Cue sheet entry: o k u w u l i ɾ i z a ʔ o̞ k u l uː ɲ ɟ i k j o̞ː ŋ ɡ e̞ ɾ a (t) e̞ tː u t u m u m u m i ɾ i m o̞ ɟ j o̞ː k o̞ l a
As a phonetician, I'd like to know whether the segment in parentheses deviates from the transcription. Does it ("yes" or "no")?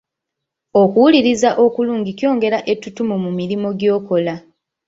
yes